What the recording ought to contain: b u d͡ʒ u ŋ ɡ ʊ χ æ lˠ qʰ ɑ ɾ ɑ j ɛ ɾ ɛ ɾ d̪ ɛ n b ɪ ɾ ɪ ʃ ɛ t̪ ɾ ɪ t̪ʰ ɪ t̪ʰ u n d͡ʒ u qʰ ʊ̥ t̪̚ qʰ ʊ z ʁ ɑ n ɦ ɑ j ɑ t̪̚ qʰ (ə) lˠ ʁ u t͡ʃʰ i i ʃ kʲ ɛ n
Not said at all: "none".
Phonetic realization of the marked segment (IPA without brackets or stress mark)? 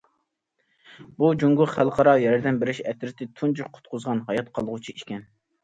ɑ